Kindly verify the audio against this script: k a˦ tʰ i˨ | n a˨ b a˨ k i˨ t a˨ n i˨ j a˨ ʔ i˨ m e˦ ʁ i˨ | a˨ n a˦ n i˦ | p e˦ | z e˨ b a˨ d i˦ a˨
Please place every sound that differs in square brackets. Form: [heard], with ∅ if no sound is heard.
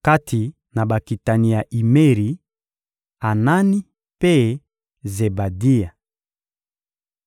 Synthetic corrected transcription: k a˦ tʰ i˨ | n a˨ b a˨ k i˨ t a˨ n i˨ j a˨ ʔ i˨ m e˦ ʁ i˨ | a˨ n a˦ n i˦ | p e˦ | z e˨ b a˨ d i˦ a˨